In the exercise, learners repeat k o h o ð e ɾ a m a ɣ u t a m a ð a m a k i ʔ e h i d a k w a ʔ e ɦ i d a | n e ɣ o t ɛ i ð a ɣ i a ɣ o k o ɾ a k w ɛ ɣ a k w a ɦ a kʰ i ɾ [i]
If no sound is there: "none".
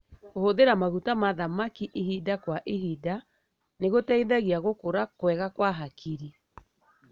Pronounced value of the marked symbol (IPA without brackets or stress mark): i